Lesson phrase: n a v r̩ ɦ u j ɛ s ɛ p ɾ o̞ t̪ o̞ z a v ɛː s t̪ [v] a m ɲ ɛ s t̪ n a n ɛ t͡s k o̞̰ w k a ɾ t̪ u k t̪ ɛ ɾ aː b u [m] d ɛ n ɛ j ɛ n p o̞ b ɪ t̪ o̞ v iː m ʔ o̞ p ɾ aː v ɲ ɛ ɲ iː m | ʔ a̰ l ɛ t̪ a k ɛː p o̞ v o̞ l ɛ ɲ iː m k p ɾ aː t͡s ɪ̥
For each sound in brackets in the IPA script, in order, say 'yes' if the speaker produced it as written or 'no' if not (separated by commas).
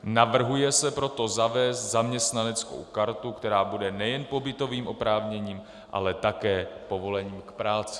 no, no